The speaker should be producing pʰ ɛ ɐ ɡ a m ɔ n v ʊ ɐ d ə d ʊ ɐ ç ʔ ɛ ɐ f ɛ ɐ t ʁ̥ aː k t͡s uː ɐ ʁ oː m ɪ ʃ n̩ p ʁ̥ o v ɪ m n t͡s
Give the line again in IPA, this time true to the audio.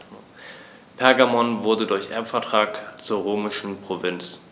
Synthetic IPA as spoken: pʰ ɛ ɐ ɡ a m ɔ n v ʊ ɐ d ə d ʊ ɐ ç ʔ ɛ ɐ f ɛ ɐ t ʁ̥ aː k t͡s uː ɐ ʁ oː m ɪ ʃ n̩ p ʁ̥ o v ɪ n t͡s